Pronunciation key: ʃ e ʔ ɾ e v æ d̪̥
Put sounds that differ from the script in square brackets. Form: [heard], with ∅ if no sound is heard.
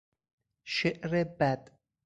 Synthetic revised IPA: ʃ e ʔ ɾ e [b] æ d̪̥